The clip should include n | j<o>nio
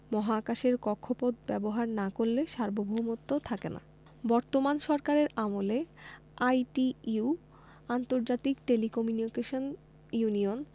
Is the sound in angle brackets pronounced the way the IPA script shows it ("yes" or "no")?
no